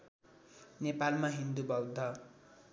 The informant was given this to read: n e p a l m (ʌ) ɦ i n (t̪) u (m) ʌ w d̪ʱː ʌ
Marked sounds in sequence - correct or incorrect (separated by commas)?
incorrect, incorrect, incorrect